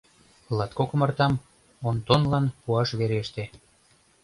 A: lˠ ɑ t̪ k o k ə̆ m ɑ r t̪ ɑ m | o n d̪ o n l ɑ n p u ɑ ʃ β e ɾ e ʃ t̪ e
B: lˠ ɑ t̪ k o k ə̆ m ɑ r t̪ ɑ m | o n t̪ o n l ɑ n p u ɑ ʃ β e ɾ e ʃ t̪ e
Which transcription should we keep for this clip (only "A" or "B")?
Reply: B